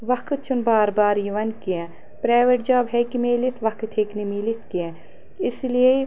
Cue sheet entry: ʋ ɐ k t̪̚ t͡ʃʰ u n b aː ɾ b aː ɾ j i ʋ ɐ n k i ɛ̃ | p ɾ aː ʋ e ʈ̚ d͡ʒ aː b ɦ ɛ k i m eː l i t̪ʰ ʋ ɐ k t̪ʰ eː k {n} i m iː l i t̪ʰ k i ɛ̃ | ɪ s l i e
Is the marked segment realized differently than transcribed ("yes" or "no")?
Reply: no